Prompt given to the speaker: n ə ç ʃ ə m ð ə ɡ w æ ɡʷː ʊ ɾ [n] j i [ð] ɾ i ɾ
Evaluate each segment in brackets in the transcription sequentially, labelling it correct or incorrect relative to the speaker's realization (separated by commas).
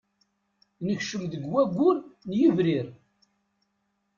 correct, incorrect